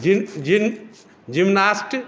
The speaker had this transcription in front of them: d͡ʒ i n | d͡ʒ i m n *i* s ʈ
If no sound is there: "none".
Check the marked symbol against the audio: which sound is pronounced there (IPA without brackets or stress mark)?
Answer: a